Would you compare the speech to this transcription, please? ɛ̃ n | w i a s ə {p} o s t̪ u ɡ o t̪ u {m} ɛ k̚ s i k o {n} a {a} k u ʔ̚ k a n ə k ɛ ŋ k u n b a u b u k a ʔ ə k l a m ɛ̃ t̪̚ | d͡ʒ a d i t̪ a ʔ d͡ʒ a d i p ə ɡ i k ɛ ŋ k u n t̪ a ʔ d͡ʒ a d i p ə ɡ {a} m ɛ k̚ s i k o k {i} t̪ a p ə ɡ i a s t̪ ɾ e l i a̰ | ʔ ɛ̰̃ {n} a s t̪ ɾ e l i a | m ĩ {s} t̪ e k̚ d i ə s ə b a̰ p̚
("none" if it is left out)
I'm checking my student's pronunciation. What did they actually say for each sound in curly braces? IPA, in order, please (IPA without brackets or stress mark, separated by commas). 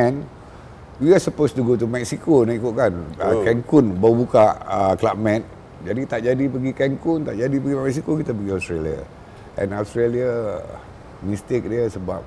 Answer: p, m, n, i, i, i, n, s